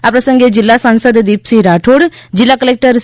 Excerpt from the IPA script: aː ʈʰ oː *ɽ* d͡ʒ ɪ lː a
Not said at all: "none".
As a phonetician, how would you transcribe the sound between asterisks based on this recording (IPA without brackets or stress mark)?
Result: ɽ